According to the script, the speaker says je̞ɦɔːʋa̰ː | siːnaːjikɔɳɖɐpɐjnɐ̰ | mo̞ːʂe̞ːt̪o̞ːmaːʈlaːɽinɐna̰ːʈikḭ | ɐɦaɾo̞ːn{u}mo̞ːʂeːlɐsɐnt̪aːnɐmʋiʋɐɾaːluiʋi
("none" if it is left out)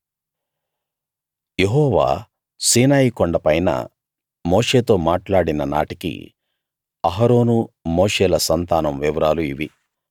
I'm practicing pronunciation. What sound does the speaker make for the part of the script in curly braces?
u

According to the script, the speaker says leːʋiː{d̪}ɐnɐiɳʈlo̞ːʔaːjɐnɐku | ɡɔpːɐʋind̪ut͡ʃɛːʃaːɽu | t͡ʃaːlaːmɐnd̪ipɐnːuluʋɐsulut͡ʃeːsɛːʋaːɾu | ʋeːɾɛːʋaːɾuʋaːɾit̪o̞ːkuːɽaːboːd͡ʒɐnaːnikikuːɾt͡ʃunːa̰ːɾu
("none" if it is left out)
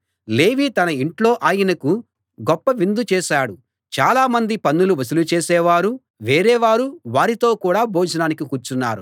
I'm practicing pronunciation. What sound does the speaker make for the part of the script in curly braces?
t̪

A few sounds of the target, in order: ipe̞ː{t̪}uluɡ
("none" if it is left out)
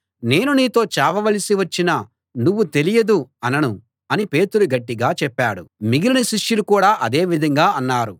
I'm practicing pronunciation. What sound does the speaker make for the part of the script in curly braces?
t̪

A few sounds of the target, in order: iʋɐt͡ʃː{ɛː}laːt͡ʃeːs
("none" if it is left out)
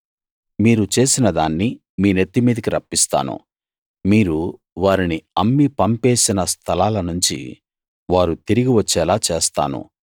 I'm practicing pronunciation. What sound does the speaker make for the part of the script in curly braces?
ɛː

